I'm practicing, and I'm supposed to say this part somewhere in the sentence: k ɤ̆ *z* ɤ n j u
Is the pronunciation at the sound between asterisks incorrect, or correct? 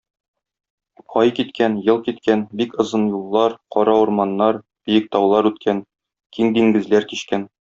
correct